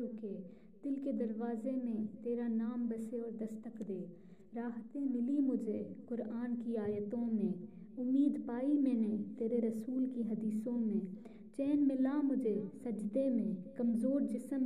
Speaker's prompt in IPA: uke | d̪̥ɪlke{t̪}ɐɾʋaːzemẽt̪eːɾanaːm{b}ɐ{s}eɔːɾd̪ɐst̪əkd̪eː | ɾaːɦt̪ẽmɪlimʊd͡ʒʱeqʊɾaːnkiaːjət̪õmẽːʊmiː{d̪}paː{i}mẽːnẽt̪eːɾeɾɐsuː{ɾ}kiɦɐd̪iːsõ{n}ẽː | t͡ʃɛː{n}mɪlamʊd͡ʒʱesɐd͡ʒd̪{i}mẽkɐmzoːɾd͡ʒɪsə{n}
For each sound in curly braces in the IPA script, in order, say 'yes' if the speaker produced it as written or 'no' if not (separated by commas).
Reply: no, yes, yes, yes, yes, no, no, yes, no, no